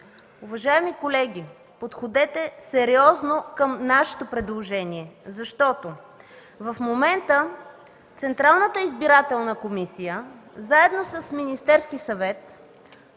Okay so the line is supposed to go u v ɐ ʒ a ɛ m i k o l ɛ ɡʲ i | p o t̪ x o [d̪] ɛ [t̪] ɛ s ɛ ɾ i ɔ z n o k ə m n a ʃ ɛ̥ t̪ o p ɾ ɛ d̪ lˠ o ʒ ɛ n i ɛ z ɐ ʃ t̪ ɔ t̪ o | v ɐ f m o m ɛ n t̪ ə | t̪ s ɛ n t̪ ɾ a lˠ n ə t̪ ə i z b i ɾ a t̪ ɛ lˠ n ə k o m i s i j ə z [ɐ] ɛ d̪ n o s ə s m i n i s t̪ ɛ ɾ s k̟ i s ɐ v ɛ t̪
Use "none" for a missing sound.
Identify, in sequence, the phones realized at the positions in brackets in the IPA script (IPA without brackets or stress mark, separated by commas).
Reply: d̪, t̪, a